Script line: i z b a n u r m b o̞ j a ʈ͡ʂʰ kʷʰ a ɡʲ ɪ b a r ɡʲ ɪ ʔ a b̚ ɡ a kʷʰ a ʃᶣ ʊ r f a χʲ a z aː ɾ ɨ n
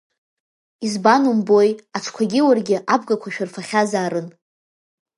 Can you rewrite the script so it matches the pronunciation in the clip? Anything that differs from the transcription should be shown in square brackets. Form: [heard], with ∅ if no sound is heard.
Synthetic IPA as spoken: i z b a n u [∅] m b o̞ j a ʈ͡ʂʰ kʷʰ a ɡʲ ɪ [w] a r ɡʲ ɪ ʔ a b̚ ɡ a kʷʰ a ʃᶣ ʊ r f a χʲ a z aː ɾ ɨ n